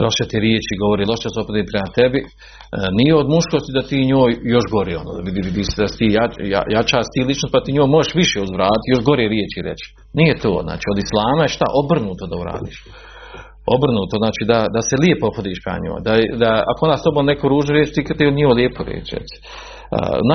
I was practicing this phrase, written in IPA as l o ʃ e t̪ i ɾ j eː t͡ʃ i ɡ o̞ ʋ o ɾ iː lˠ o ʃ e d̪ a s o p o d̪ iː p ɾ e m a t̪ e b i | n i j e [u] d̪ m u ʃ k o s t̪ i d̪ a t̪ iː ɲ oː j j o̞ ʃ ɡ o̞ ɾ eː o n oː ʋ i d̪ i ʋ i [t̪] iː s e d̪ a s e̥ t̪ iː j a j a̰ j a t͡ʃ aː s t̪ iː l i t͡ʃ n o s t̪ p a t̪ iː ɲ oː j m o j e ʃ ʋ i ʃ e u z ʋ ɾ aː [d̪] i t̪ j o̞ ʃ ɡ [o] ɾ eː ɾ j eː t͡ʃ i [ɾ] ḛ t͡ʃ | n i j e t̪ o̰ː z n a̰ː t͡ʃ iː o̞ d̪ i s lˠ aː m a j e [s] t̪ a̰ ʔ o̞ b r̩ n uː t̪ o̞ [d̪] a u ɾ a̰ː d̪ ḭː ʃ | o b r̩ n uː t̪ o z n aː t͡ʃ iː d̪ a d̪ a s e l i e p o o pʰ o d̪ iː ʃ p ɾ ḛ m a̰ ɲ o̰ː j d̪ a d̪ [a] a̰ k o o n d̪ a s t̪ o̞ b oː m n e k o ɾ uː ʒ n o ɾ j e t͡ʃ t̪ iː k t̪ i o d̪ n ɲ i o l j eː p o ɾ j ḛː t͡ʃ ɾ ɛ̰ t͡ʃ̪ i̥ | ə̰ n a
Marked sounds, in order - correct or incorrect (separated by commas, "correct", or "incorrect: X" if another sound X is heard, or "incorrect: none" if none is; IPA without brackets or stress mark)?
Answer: incorrect: o, incorrect: d̪, incorrect: t̪, correct, correct, incorrect: ʃ, correct, correct